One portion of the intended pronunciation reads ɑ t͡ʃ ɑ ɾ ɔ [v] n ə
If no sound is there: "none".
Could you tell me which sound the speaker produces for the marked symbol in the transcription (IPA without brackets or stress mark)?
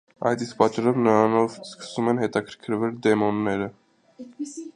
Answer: v